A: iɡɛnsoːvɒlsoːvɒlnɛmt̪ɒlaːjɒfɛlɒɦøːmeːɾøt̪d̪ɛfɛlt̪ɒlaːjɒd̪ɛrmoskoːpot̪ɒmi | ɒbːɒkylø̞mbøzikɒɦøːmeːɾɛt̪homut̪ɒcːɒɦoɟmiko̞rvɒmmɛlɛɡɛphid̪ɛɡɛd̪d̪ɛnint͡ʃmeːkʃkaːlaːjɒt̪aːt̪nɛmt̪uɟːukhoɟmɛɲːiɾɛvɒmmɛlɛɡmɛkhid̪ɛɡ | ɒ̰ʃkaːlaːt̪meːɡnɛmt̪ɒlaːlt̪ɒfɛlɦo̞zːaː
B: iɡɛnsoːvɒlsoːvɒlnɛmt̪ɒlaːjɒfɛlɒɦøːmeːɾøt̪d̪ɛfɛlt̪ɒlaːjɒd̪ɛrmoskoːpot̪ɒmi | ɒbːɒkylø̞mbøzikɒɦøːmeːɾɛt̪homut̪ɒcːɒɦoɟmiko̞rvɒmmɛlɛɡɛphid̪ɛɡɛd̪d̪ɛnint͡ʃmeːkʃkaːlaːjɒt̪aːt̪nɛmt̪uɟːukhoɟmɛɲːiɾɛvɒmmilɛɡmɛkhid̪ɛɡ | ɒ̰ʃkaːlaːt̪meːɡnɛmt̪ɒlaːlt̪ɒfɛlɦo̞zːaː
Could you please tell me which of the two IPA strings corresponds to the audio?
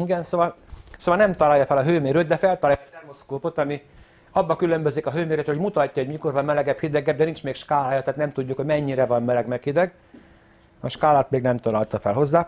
A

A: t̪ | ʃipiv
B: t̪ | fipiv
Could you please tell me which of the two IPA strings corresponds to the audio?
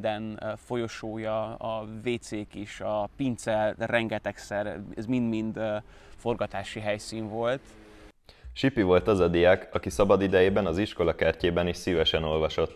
A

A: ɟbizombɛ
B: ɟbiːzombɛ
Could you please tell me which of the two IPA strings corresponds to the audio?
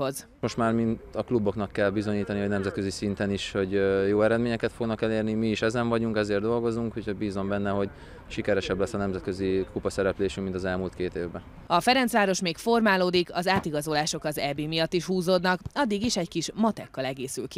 B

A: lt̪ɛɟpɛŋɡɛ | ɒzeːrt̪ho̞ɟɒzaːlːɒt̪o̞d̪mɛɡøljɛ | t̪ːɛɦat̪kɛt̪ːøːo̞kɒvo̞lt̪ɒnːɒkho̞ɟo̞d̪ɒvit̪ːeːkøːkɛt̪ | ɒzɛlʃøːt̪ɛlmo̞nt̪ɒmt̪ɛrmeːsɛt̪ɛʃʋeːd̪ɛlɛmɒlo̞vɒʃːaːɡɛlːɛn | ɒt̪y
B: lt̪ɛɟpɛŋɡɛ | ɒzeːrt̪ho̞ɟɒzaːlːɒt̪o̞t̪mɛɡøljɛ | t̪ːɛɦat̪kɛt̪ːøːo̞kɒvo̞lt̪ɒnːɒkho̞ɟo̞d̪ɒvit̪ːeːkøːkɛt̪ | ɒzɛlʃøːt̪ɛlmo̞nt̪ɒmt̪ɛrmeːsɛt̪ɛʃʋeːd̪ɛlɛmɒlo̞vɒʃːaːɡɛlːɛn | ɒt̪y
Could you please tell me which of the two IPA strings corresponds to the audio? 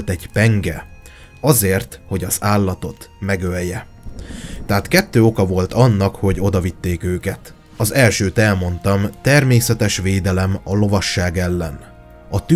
B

